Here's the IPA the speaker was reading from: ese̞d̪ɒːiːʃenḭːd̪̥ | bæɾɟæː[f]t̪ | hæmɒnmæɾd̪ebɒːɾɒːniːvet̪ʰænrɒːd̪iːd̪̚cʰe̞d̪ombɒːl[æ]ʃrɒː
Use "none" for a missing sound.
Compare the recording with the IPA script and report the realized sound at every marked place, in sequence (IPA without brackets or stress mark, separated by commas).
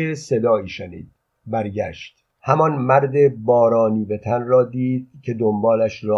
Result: ʃ, æ